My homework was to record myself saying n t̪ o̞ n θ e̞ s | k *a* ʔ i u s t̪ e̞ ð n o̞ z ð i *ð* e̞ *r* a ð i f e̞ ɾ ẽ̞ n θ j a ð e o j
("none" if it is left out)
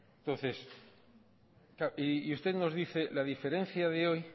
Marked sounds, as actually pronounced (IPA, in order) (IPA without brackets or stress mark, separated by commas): a, θ, l